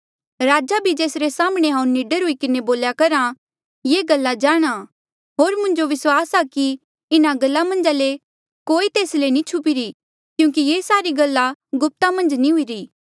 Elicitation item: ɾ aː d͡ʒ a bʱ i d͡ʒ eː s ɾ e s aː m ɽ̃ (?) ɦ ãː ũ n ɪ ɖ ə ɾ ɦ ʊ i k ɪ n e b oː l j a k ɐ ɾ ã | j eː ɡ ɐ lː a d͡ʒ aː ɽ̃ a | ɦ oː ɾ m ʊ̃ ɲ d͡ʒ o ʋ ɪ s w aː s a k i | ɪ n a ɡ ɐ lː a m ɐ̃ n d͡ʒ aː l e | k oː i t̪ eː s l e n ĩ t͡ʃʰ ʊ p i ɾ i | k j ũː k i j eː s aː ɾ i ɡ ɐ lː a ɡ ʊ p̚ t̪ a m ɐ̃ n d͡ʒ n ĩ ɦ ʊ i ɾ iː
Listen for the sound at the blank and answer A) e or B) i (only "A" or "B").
A